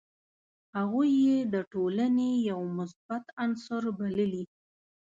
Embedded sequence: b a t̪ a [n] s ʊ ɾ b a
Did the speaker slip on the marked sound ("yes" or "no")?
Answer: no